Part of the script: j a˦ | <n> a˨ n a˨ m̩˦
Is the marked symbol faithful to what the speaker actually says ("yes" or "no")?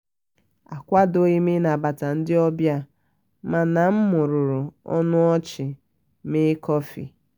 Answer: no